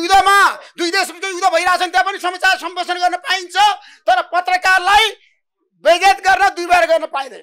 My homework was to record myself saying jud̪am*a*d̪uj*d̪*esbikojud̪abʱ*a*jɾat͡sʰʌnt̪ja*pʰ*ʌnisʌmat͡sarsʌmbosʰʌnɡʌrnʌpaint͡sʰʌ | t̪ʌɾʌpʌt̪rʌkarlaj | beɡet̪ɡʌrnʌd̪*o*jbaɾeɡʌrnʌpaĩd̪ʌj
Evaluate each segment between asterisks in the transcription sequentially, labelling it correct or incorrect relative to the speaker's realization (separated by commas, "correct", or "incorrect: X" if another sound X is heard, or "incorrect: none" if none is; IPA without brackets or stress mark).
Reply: correct, correct, incorrect: ʌ, incorrect: p, incorrect: u